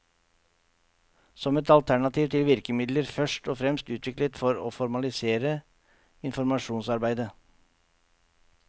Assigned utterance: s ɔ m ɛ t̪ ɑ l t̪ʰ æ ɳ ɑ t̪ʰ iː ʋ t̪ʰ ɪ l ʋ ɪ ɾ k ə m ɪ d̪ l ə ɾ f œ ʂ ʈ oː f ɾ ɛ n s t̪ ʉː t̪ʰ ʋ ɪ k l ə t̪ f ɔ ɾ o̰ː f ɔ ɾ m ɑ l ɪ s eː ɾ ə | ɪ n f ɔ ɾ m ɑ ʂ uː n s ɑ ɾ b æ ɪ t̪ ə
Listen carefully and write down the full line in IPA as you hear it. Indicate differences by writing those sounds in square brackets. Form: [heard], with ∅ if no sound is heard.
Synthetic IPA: s ɔ m ɛ t̪ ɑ l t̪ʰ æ ɳ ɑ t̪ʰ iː ʋ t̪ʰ ɪ l ʋ ɪ ɾ k ə m ɪ d̪ l ə ɾ f œ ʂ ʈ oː f ɾ ɛ [m] s t̪ ʉː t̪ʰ ʋ ɪ k l ə t̪ f ɔ ɾ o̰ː f ɔ ɾ m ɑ l ɪ s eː ɾ ə | ɪ n f ɔ ɾ m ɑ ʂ uː n s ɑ ɾ b æ ɪ [d̪] ə